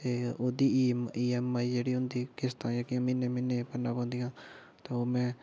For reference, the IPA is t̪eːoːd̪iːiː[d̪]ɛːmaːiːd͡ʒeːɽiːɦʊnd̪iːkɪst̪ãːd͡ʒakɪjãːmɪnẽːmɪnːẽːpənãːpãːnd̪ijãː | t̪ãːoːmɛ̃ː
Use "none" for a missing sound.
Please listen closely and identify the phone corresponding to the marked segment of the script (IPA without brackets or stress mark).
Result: none